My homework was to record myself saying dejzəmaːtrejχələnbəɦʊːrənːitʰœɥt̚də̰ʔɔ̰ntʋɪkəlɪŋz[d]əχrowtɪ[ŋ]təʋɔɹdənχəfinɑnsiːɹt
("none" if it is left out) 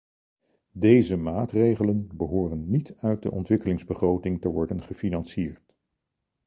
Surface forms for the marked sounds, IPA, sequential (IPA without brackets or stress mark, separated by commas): b, ŋ